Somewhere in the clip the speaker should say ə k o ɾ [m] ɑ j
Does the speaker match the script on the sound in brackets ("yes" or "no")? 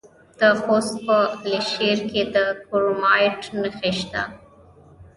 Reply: yes